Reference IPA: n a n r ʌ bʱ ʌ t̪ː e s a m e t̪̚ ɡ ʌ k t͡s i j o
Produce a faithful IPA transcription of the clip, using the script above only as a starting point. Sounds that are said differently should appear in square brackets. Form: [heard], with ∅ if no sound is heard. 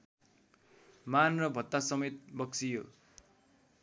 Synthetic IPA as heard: [m] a n r ʌ bʱ ʌ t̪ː [a] s [ʌ] m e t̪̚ [b] ʌ k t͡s i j o

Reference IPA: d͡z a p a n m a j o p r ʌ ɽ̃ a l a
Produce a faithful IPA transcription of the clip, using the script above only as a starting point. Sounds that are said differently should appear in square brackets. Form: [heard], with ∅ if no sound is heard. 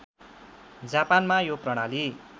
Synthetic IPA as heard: d͡z a p a n m a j o p r ʌ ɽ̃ a l [i]

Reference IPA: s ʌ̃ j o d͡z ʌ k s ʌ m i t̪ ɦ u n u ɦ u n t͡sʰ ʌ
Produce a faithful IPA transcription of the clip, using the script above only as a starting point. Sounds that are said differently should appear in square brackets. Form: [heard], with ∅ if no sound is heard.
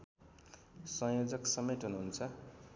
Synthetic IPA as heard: s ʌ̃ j o d͡z ʌ k s ʌ m [e] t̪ ɦ u n u ɦ u n t͡sʰ ʌ

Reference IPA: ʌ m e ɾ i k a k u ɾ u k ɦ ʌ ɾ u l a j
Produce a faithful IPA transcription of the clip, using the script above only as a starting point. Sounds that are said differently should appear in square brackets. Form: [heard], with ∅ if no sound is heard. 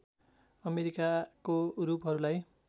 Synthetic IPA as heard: ʌ m e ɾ i k a k [o] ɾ u [p] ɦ ʌ ɾ u l a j

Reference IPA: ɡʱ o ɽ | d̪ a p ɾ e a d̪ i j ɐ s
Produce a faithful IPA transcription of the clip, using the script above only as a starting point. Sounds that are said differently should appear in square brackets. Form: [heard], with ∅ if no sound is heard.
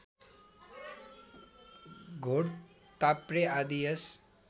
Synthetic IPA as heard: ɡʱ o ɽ | [t̪] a p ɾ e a d̪ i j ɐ s

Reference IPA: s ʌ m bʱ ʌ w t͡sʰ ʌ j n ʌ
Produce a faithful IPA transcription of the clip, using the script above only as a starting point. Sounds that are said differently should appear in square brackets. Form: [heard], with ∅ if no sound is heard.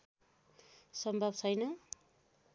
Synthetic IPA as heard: s ʌ m bʱ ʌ [b] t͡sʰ ʌ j n ʌ

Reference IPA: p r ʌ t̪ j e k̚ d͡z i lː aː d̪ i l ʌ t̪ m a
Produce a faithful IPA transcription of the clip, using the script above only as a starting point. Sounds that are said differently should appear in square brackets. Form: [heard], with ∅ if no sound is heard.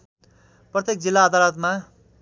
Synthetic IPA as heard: p r ʌ t̪ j e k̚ d͡z i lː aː d̪ [a] l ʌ t̪ m a

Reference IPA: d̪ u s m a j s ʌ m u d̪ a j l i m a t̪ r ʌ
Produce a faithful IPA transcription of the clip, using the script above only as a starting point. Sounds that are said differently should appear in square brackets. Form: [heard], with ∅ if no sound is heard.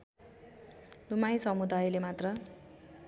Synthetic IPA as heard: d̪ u [∅] m a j s ʌ m u d̪ a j l [e] m a t̪ r ʌ

